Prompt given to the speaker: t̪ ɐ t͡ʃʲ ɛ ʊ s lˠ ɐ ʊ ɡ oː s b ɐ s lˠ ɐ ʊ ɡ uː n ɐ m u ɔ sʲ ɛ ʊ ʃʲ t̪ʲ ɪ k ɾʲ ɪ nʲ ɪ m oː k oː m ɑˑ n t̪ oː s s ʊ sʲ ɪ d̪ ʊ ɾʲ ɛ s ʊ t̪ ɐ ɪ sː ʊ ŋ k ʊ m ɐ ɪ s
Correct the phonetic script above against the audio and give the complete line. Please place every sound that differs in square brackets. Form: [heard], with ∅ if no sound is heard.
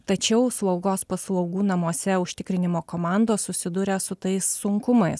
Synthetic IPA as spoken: t̪ ɐ t͡ʃʲ ɛ ʊ s lˠ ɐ ʊ ɡ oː s [p] ɐ s lˠ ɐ ʊ ɡ uː n ɐ m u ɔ sʲ ɛ ʊ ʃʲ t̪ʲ ɪ k ɾʲ ɪ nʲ ɪ m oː k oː m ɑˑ n [d̪] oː s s ʊ sʲ ɪ d̪ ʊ ɾʲ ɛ s ʊ t̪ ɐ ɪ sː ʊ ŋ k ʊ m ɐ ɪ s